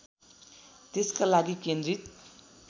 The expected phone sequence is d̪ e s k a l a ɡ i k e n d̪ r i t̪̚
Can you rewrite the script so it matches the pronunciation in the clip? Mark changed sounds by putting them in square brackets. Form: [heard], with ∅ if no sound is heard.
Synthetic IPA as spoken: [t̪] e s k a l a ɡ i k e n d̪ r i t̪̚